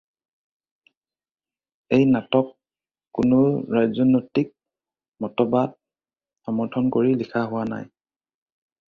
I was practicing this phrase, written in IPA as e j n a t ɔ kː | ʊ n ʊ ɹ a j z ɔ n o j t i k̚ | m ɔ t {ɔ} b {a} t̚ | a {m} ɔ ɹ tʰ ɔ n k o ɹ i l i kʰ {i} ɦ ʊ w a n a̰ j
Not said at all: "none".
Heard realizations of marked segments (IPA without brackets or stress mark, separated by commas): ɔ, a, m, a